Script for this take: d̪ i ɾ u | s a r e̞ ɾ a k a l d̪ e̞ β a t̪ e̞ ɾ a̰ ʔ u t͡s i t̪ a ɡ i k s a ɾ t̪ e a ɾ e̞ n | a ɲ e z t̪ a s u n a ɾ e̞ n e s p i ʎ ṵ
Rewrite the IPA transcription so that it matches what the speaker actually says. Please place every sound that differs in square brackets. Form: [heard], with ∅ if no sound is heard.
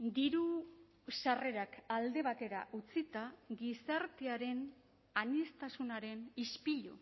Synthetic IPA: d̪ i ɾ u | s a r e̞ ɾ a k a l d̪ e̞ β a t̪ e̞ ɾ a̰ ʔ u t͡s i t̪ a ɡ i [∅] s a ɾ t̪ e a ɾ e̞ n | a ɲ e [s] t̪ a s u n a ɾ e̞ n [i] s p i ʎ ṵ